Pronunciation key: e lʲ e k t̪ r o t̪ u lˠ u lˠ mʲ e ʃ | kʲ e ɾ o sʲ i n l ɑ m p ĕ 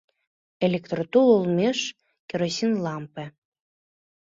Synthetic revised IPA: e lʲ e k t̪ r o t̪ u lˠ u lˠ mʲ e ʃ | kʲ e ɾ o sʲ i n l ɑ m p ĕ